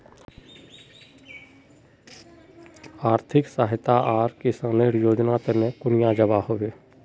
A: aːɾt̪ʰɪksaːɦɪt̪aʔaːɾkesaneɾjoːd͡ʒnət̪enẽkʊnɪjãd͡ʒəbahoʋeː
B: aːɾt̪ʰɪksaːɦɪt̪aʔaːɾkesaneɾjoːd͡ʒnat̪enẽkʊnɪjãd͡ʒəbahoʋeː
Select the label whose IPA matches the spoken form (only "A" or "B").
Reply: B